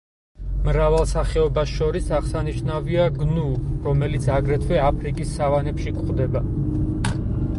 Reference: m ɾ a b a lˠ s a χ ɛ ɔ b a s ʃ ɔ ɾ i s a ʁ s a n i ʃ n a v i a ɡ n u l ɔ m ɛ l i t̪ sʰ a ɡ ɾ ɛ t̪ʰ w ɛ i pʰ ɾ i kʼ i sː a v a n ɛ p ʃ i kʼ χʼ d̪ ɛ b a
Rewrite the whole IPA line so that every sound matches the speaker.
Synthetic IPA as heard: m ɾ a v a lˠ s a χ ɛ ɔ b a s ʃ ɔ ɾ i s a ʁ s a n i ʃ n a v i a ɡ n u ɾ ɔ m ɛ l i t̪ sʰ a ɡ ɾ ɛ t̪ʰ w ɛ a pʰ ɾ i kʼ i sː a v a n ɛ p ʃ i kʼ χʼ d̪ ɛ b a